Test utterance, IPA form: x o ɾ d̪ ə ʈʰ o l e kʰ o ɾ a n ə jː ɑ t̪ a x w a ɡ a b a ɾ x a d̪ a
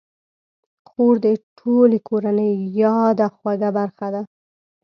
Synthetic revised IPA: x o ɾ d̪ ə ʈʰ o l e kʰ o ɾ a n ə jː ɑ d̪ a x w a ɡ a b a ɾ x a d̪ a